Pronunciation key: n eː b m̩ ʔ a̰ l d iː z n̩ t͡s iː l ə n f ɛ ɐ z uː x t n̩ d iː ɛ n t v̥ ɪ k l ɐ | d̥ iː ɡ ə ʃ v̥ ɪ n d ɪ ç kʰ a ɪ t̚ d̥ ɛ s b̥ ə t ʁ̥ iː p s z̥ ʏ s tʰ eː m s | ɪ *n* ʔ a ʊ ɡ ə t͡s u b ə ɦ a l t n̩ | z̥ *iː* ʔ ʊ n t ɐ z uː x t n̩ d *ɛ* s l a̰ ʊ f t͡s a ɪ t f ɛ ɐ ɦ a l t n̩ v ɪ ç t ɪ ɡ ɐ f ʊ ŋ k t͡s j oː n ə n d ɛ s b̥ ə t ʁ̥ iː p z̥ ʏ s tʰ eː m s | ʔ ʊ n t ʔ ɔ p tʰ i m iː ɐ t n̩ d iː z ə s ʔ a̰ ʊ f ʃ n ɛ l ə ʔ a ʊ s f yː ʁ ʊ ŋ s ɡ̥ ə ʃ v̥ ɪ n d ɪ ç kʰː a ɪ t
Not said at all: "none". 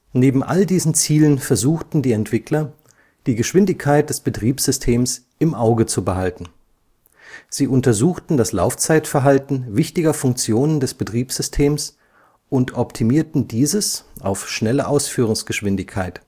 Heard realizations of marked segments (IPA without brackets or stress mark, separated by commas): m, iː, a